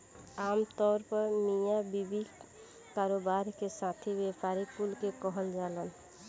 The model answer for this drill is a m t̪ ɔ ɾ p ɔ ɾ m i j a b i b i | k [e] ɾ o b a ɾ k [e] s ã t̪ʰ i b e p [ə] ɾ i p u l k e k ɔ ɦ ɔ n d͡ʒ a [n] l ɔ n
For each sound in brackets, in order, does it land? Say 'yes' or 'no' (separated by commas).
no, yes, no, no